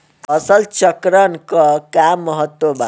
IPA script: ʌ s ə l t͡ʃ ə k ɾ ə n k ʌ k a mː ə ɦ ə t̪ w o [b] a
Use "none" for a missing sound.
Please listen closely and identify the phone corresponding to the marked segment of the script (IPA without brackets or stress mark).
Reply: b